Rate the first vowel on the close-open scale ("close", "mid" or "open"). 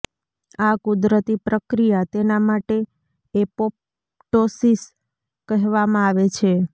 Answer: open